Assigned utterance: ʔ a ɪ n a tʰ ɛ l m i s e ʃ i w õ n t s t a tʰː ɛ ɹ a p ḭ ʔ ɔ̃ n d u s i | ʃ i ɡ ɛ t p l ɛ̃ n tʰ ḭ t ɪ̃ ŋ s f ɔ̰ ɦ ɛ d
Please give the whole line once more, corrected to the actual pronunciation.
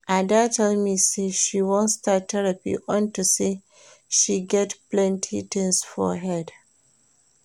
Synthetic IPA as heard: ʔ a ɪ d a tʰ ɛ l m i s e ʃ i w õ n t s t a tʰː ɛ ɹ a p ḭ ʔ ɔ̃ n t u s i | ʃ i ɡ ɛ t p l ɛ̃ n tʰ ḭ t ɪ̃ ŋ s f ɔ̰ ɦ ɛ d

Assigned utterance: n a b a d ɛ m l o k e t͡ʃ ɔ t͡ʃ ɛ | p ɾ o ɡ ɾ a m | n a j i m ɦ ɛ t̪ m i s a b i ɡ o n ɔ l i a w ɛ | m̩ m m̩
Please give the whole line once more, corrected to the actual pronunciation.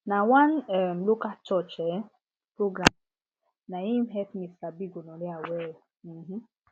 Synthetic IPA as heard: n a w a n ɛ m l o k a t͡ʃ ɔ t͡ʃ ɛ | p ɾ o ɡ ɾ a m | n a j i m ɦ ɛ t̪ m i s a b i ɡ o n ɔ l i a w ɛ | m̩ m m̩

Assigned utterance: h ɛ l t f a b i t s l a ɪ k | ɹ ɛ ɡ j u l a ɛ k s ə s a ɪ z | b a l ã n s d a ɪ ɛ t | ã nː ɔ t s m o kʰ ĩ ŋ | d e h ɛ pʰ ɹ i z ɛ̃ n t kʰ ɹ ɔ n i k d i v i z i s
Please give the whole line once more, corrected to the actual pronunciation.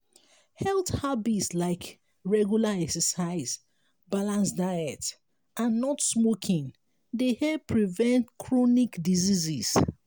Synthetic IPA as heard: h ɛ l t h a b i t s l a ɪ k | ɹ ɛ ɡ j u l a ɛ k s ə s a ɪ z | b a l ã n s d a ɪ ɛ t | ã nː ɔ t s m o kʰ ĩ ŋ | d e h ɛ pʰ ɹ i v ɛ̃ n t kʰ ɹ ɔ n i k d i z i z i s

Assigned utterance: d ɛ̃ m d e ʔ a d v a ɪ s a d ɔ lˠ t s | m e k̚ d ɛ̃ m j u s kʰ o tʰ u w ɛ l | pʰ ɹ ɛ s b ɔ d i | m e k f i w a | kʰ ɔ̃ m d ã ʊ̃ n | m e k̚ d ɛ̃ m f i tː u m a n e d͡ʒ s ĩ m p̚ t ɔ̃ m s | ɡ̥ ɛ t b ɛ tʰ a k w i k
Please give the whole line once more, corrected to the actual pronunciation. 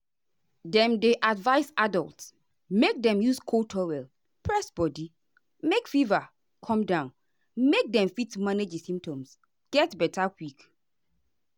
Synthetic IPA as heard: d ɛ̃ m d e ʔ a d v a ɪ s a d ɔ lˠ t s | m e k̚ d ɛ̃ m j u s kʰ o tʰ ɔ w ɛ l | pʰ ɹ ɛ s b ɔ d i | m e k f i v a | kʰ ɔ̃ m d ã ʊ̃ n | m e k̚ d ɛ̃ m f i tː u m a n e d͡ʒ s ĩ m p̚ t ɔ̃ m s | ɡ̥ ɛ t b ɛ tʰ a k w i k

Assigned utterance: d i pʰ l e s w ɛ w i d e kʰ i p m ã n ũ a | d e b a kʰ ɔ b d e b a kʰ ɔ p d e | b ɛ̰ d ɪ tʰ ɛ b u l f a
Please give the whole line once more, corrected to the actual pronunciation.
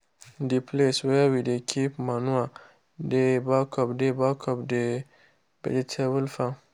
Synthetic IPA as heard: d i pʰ l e s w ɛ w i d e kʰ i p m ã n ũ a | d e b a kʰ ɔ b d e b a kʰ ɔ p d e | b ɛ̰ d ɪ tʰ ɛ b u l f a

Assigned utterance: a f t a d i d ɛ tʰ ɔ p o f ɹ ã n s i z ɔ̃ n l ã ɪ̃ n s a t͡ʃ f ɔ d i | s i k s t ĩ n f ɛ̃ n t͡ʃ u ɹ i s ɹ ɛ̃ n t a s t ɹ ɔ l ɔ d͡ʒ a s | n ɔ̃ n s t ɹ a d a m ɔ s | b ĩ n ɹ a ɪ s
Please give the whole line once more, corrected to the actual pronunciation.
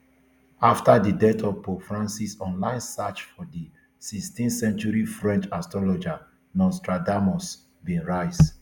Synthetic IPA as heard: a f t a d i d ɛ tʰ ɔ p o f ɹ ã n s i s ɔ̃ n l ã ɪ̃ n s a t͡ʃ f ɔ d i | s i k s t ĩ n s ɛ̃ n t͡ʃ u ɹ i f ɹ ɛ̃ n t͡ʃ a s t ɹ ɔ l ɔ d͡ʒ a | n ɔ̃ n s t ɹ a d a m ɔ s | b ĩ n ɹ a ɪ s

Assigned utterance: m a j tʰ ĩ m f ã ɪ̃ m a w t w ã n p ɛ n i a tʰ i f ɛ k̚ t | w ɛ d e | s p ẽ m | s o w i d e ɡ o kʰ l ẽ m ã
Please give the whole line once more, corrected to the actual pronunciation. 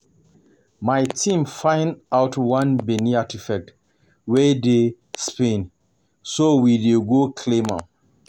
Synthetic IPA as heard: m a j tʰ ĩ m f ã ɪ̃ n a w t w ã n b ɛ n i a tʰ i f ɛ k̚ t | w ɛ d e | s p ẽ n | s o w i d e ɡ o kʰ l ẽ m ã

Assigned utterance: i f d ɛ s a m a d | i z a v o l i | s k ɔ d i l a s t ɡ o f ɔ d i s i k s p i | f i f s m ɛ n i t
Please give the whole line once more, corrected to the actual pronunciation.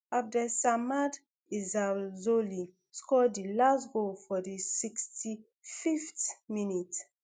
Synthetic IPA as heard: a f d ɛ s a m a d | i z a z o l i | s k ɔ d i l a s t ɡ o f ɔ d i s i k s t i | f i f t m i n i t

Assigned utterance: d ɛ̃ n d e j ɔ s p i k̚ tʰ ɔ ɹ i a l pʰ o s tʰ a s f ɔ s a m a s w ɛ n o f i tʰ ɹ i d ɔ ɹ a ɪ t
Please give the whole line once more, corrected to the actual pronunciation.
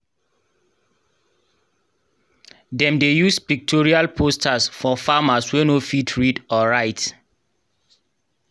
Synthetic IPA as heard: d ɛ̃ m d e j u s p i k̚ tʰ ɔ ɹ i a l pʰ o s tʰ a s f ɔ f a m a s w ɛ n o f i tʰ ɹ i d ɔ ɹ a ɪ t

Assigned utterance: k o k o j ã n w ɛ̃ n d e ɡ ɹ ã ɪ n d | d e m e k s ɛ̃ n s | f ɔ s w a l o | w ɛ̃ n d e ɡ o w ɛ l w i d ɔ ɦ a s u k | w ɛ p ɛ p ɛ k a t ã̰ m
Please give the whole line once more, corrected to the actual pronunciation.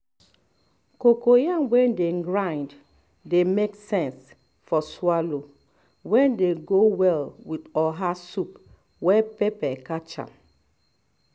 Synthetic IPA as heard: k o k o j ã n w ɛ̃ n d e ɡ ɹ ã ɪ n d | d e m e k s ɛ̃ n s | f ɔ s w a l o | w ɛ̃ n d e ɡ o w ɛ l w i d ɔ ɦ a s u p | w ɛ p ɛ p ɛ k a t͡ʃ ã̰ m

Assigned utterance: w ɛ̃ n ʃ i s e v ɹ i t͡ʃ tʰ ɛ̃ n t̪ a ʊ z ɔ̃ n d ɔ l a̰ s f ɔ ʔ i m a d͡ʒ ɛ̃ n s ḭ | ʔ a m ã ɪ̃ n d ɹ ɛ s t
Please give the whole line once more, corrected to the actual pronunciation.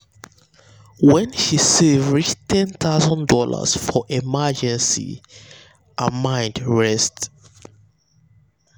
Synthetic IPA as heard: w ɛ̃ n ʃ i s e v ɹ i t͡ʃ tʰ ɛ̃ n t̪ a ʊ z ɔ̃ n d ɔ l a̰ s f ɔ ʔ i m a d͡ʒ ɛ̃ n s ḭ | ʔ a m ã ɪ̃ n d ɹ ɛ s t

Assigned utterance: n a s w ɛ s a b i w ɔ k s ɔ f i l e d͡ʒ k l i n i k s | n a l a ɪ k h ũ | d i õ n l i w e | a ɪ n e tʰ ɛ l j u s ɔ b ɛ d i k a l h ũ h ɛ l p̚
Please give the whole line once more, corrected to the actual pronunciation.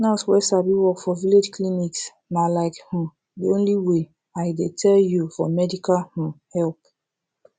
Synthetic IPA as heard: n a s w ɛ s a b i w ɔ k f ɔ v i l e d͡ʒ k l i n i k s | n a l a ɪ k h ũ | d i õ n l i w e | a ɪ d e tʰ ɛ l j u f ɔ m ɛ d i k a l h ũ h ɛ l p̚

